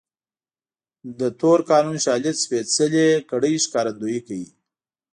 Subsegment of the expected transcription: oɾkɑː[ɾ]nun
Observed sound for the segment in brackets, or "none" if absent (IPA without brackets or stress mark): none